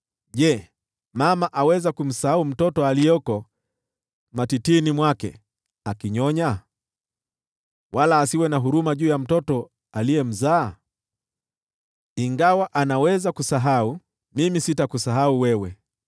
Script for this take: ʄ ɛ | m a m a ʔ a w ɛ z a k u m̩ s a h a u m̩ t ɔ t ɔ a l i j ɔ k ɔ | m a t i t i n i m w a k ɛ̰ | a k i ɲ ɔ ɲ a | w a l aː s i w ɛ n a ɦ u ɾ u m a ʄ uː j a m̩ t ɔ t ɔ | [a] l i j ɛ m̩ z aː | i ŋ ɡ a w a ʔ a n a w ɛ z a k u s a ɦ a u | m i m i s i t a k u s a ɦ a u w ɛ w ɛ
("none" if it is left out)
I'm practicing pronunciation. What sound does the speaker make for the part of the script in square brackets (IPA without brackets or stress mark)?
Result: a